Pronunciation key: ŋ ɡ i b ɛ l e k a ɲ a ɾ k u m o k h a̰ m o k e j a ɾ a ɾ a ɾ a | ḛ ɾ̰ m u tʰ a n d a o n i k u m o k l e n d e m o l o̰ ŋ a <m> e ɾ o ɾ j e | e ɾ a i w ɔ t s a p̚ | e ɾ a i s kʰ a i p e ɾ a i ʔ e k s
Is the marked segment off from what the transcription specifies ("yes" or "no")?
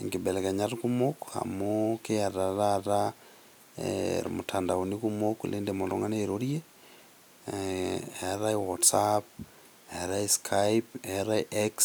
yes